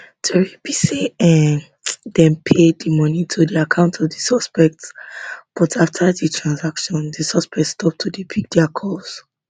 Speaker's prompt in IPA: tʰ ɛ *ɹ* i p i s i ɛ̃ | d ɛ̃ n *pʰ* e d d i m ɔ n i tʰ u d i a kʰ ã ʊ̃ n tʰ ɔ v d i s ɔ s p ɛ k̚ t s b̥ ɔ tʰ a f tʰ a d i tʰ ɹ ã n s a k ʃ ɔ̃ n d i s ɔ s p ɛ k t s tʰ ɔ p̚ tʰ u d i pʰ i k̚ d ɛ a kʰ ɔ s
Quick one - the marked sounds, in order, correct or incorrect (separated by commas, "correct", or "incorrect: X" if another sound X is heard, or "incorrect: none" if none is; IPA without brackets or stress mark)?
correct, correct